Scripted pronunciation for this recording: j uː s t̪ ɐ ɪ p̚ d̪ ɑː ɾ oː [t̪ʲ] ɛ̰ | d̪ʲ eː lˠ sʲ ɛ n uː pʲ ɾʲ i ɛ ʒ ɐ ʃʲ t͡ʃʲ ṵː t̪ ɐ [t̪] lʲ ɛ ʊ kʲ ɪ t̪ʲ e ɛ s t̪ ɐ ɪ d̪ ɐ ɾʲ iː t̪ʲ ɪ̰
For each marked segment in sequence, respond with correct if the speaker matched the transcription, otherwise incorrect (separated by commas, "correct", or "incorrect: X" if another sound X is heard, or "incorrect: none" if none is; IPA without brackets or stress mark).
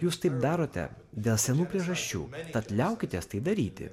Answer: correct, correct